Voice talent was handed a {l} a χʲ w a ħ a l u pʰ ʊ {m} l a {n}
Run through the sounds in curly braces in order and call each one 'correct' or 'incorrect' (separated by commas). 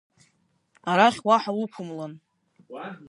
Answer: incorrect, correct, correct